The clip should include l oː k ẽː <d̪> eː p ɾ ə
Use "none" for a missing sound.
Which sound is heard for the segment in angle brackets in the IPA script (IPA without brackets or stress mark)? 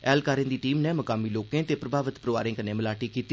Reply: t̪